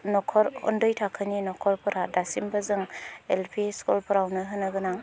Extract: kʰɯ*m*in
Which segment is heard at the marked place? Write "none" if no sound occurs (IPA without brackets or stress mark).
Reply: n